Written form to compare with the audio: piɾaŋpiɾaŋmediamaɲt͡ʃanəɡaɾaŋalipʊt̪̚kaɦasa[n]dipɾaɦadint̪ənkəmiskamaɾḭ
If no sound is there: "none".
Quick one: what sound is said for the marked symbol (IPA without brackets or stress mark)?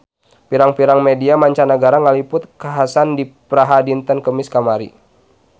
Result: n